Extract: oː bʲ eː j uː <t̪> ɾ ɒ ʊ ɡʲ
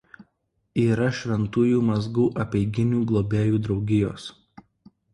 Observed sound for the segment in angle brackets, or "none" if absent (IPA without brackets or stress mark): d̪